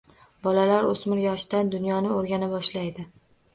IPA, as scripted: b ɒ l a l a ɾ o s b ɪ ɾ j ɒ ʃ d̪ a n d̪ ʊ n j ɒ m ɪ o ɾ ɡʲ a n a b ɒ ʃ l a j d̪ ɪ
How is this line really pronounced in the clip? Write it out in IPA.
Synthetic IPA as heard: b ɒ l a l a ɾ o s m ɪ ɾ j ɒ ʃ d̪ a n d̪ ʊ n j ɒ n ɪ o ɾ ɡʲ a n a b ɒ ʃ l a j d̪ ɪ